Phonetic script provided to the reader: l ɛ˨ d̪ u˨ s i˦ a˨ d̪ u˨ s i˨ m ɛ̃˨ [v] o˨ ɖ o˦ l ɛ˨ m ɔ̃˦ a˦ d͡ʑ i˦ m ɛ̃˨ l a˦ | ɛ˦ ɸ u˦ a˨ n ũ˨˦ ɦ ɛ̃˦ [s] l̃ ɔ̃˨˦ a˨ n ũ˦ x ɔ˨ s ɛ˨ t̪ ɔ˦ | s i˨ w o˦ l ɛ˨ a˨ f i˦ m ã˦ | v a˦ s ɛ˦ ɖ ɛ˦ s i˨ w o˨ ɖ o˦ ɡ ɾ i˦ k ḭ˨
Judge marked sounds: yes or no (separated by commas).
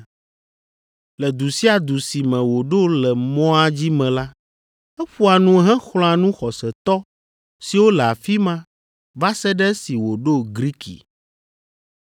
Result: no, no